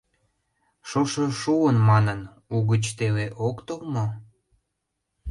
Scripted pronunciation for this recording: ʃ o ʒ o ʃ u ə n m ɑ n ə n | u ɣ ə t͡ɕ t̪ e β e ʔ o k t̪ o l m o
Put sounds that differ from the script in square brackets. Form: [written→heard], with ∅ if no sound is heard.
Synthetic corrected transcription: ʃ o [ʒ→ʃ] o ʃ u ə n m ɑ n ə n | u ɣ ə t͡ɕ t̪ e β e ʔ o k t̪ o l m o